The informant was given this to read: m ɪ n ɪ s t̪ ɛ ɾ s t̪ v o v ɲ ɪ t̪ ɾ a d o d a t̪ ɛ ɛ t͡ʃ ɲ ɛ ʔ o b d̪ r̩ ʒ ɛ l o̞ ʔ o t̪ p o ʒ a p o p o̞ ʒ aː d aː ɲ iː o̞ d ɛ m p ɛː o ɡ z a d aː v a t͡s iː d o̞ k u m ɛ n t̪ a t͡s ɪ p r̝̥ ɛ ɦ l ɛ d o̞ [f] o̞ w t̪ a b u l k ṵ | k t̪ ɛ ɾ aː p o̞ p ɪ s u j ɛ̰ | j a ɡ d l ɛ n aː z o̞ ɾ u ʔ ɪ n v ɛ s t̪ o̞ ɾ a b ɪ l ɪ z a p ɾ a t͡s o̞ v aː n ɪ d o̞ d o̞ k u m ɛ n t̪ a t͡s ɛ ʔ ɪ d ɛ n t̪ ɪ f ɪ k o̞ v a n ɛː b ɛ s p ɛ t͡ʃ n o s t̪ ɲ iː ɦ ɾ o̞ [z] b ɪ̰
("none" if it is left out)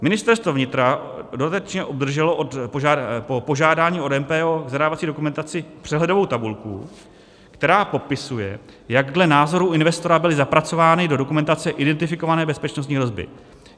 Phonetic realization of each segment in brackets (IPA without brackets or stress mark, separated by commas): v, z